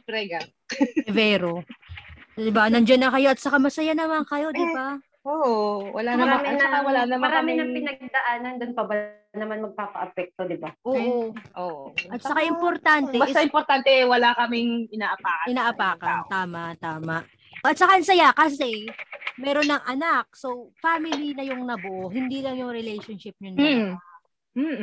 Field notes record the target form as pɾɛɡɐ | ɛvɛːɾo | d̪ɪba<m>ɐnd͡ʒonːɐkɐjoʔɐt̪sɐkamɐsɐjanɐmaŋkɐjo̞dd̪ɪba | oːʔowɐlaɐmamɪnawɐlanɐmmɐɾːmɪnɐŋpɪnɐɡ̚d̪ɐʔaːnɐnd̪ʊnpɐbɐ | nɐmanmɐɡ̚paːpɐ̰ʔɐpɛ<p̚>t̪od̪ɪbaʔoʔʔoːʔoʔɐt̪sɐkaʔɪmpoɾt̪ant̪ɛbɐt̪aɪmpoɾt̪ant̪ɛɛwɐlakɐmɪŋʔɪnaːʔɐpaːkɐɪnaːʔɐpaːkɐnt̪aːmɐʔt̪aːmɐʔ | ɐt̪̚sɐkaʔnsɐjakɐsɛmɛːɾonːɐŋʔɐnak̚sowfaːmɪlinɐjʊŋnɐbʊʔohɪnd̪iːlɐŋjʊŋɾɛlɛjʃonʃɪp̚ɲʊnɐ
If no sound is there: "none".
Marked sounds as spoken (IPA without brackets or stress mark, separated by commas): n, k̚